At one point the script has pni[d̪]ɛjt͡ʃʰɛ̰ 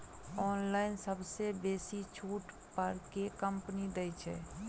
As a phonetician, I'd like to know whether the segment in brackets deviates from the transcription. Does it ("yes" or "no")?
no